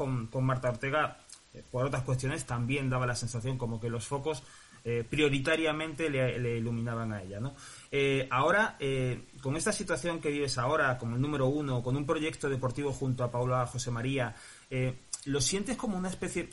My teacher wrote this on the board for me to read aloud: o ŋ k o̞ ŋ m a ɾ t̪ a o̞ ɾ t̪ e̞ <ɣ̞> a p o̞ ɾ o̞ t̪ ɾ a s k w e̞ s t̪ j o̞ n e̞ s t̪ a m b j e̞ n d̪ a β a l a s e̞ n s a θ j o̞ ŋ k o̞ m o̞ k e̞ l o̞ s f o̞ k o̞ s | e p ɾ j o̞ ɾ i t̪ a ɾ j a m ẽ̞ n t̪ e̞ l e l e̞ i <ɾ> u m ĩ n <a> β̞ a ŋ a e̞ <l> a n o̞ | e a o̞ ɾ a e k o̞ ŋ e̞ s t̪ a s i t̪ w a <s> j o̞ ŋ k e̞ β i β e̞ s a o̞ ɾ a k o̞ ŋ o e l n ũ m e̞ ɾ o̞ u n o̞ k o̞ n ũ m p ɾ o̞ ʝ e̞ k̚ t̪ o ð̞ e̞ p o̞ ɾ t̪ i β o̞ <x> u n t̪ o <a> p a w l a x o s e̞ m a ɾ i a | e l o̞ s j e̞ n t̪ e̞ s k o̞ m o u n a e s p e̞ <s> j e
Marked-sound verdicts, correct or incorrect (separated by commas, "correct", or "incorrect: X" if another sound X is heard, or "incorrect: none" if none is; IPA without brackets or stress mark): correct, incorrect: l, correct, incorrect: ʎ, incorrect: θ, correct, correct, incorrect: θ